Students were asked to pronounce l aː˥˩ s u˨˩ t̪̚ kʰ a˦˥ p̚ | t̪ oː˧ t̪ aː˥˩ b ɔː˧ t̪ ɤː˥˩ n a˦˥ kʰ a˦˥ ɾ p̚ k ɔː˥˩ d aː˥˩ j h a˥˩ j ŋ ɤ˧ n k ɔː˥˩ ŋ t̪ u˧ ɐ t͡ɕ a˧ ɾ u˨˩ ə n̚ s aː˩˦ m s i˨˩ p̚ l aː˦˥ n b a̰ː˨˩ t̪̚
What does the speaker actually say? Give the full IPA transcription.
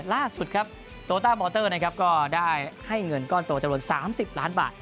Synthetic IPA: l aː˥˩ s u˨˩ t̪̚ kʰ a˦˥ p̚ | t̪ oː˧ t̪ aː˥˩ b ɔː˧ t̪ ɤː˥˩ n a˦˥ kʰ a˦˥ p̚ k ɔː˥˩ d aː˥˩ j h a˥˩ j ŋ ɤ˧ n k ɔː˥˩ n t̪ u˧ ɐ t͡ɕ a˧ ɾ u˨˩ ə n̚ s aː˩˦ m s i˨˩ p̚ l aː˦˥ n b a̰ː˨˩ t̪̚